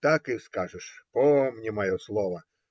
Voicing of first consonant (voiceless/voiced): voiceless